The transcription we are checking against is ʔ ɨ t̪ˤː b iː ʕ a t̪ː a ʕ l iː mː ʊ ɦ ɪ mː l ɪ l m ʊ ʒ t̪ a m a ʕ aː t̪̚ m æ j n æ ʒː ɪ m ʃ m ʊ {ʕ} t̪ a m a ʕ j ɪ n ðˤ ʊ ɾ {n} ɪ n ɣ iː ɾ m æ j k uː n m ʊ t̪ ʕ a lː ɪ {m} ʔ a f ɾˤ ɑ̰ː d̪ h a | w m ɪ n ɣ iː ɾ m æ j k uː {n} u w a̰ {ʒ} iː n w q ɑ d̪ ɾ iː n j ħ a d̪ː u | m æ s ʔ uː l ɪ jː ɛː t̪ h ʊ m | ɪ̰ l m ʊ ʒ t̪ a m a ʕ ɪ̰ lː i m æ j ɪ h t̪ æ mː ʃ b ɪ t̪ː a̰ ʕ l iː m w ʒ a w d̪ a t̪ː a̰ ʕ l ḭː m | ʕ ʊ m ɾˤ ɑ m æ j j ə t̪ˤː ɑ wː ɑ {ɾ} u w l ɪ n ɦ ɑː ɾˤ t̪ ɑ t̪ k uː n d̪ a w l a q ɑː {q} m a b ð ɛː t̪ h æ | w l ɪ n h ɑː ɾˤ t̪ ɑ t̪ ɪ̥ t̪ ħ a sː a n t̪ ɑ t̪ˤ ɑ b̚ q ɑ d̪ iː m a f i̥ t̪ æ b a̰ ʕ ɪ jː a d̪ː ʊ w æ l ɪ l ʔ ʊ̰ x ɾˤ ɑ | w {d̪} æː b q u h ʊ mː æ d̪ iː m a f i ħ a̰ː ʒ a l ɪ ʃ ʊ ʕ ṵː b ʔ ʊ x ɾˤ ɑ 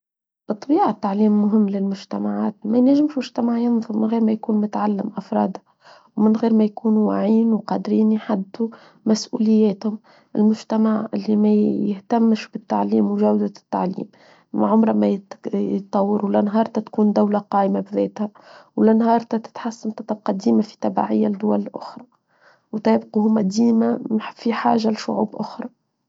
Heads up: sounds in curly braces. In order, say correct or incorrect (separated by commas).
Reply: incorrect, incorrect, correct, correct, incorrect, correct, incorrect, incorrect